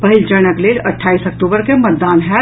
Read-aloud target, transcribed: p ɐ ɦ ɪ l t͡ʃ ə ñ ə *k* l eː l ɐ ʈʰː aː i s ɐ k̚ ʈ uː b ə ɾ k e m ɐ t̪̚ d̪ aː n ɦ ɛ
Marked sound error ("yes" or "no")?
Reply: no